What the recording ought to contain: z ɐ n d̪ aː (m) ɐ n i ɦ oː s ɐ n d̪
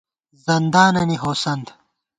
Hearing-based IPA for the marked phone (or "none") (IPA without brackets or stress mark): n